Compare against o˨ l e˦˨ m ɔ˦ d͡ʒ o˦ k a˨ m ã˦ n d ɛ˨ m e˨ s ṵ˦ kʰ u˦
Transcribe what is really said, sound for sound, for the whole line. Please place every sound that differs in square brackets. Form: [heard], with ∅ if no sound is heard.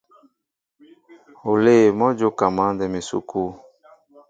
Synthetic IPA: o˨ l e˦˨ m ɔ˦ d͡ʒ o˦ k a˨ m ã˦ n d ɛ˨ m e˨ s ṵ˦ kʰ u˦